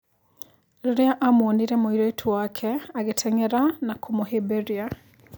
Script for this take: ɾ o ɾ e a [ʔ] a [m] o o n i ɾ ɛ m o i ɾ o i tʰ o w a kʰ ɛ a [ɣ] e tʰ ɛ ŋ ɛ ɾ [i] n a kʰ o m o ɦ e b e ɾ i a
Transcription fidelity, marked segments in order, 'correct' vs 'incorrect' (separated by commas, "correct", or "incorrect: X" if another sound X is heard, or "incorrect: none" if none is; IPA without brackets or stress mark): correct, correct, correct, incorrect: a